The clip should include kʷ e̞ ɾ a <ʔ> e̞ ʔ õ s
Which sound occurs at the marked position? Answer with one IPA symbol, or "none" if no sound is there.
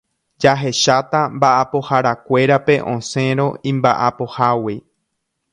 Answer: p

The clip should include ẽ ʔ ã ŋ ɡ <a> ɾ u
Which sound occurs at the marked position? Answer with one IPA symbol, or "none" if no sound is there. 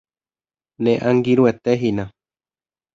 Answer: i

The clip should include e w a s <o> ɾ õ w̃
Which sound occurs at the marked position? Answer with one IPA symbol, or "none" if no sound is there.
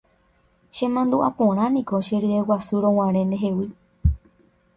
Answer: u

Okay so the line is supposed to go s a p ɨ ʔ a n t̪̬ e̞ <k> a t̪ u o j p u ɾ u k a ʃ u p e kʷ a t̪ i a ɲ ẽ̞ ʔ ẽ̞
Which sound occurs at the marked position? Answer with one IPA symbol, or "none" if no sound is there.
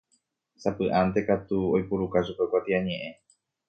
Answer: k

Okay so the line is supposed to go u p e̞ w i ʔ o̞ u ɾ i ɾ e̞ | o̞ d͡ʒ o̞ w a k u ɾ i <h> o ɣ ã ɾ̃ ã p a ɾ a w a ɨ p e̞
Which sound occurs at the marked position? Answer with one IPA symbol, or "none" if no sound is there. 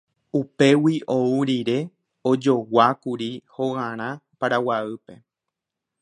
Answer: h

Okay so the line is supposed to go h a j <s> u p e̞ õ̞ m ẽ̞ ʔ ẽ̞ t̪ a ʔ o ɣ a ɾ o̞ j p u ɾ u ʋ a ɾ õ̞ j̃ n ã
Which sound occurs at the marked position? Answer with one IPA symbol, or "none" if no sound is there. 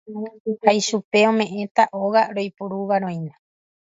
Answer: ʃ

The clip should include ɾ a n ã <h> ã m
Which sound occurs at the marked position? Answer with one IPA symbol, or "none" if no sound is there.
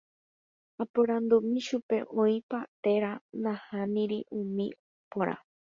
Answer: h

